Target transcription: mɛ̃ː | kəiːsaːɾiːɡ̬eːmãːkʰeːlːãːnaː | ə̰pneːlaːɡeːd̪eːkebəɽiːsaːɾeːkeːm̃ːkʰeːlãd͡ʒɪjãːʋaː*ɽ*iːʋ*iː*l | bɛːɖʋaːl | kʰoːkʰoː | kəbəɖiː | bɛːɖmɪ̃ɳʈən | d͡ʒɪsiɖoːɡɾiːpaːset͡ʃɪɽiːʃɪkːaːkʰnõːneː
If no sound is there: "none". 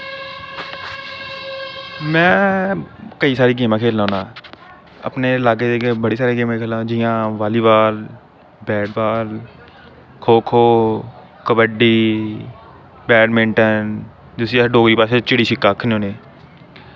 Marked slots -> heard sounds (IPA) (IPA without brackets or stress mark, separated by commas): l, aː